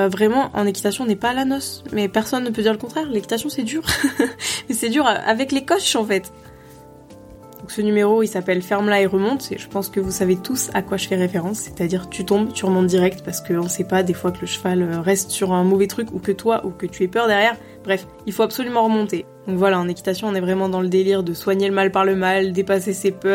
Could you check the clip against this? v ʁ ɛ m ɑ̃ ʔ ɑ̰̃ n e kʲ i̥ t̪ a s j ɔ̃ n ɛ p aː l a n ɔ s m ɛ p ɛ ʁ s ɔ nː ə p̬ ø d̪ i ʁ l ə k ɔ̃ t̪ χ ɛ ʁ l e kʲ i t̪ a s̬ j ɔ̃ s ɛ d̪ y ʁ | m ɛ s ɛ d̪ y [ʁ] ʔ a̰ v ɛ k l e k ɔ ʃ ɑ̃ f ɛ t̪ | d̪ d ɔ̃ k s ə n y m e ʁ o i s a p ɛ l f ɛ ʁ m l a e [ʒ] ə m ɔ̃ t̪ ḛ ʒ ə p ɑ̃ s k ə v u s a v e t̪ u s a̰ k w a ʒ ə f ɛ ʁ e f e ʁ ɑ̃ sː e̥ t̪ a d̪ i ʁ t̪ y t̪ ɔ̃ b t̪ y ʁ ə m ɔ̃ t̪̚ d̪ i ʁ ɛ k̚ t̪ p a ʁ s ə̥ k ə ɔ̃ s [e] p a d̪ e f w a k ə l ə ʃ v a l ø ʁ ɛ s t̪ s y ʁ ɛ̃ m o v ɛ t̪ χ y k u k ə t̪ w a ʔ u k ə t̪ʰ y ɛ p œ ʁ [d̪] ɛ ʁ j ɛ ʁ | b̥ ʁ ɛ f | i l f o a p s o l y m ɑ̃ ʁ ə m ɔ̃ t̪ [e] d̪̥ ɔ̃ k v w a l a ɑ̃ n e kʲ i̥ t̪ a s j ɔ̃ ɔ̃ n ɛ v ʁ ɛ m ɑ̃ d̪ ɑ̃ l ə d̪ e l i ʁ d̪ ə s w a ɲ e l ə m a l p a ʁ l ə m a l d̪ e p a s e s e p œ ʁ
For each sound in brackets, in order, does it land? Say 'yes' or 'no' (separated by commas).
yes, no, no, yes, yes